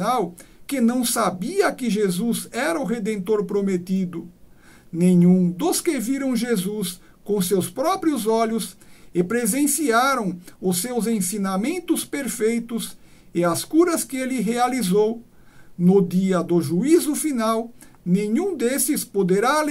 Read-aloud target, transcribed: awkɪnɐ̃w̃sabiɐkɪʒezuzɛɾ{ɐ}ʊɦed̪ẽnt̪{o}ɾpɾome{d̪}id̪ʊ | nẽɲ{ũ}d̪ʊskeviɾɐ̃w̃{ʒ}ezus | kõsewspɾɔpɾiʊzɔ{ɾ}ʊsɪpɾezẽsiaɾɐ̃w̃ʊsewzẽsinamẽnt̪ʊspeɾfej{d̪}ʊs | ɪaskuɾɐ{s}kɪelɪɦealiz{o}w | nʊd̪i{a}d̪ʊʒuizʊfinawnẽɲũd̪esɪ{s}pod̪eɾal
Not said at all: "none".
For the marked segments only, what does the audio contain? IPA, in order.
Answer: ɐ, o, t̪, ũ, ʒ, ʎ, t̪, s, o, ɐ, s

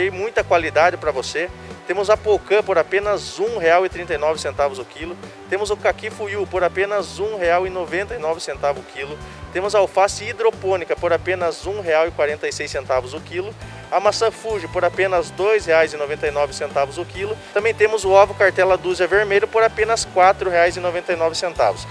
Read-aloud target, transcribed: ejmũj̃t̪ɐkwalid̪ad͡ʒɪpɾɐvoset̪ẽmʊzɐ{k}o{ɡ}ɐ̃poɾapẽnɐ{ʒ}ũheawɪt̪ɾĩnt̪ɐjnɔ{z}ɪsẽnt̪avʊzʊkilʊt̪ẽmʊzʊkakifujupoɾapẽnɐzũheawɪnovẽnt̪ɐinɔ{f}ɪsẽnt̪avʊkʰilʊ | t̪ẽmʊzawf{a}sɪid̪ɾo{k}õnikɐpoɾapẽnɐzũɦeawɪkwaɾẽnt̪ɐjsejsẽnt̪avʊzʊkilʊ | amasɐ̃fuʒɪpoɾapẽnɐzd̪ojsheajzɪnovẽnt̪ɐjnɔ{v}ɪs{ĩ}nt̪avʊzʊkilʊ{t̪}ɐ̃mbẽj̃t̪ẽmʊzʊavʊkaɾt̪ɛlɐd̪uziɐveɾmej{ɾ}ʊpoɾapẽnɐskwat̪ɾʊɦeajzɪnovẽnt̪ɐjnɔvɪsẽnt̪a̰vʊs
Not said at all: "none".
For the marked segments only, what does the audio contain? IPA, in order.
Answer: p, k, z, v, v, a, p, v, ẽ, t̪, ʎ

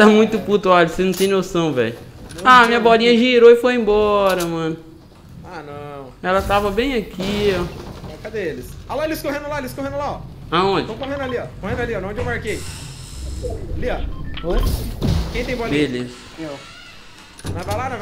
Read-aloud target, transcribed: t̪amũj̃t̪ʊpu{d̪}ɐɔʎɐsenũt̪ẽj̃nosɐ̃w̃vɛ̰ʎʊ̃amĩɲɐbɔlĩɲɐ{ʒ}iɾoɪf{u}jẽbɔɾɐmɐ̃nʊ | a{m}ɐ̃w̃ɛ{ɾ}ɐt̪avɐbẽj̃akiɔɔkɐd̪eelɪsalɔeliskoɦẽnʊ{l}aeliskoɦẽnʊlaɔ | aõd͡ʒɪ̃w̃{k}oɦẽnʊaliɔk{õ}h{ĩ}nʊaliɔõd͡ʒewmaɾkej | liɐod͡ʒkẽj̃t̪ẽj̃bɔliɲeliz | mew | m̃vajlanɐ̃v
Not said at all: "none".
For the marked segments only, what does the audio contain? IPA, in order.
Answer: t̪, ʒ, o, n, l, l, k, o, ẽ

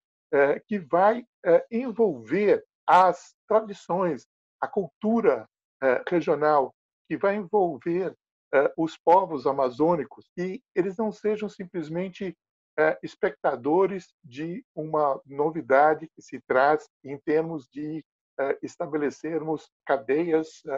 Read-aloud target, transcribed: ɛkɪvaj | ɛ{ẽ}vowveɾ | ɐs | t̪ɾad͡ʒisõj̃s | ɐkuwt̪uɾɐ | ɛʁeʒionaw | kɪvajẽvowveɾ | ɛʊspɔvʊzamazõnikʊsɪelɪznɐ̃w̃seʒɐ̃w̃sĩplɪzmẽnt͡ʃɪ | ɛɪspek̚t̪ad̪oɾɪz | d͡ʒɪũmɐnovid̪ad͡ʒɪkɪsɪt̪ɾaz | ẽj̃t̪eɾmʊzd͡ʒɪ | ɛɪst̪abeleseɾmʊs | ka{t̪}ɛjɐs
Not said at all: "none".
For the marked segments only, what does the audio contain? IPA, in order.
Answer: ẽ, d̪

